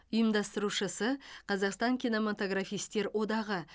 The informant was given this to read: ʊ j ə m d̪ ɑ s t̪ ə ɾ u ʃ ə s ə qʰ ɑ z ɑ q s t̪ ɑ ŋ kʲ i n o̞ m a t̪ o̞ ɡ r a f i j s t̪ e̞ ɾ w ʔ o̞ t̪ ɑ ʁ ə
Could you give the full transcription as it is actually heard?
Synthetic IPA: ʊ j ə m d̪ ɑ s t̪ ə ɾ u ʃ ə s ə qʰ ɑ z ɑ q s t̪ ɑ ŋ kʲ i n o̞ m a t̪ o̞ ɡ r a f i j s t̪ e̞ ɾ w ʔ o̞ d̪ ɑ ʁ ə